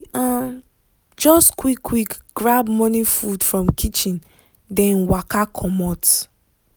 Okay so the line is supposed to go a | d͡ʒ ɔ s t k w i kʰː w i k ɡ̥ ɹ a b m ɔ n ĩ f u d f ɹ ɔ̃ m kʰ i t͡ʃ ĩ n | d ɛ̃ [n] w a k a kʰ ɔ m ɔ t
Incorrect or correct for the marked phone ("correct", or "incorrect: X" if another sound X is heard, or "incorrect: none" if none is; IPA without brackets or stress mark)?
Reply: correct